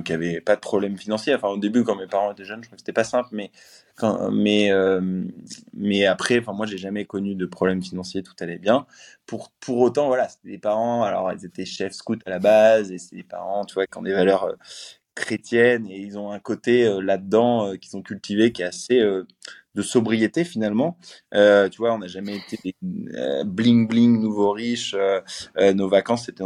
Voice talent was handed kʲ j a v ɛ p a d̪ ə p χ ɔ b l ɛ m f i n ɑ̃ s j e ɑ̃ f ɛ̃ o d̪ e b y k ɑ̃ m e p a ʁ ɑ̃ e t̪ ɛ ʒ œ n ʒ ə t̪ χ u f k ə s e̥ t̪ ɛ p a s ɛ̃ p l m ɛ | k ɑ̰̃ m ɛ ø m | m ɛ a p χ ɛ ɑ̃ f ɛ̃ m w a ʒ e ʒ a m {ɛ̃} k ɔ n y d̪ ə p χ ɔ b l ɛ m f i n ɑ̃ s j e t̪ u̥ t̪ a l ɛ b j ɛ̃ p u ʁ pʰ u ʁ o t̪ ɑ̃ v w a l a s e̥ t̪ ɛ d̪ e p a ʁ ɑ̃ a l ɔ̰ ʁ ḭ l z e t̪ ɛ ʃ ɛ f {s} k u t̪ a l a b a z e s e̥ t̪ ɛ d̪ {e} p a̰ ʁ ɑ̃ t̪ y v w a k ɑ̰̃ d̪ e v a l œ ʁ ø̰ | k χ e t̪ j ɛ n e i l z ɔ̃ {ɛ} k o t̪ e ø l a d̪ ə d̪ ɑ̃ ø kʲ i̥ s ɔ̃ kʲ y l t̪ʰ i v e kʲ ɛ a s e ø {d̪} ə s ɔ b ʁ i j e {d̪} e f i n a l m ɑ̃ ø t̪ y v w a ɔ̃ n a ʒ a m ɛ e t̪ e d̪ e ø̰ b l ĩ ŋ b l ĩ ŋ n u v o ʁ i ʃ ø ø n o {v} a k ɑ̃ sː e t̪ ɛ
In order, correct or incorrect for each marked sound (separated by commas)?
incorrect, correct, correct, incorrect, correct, incorrect, correct